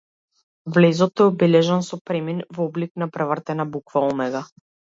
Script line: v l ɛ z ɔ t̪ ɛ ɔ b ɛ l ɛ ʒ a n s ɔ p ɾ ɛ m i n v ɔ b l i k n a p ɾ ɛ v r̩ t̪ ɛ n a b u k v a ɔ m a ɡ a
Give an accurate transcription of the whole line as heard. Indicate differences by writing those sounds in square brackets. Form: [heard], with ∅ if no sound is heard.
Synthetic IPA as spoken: v l ɛ z ɔ t̪ ɛ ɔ b ɛ l ɛ ʒ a n s ɔ p ɾ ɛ m i n v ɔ b l i k n a p ɾ ɛ v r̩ t̪ ɛ n a b u k v a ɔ m [ɛ] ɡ a